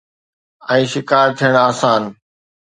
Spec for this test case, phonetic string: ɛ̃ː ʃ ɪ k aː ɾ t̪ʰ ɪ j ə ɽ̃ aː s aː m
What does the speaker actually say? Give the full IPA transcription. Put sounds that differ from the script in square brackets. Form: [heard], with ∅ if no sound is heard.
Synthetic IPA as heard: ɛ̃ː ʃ ɪ k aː ɾ t̪ʰ [i] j ə ɽ̃ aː s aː [n]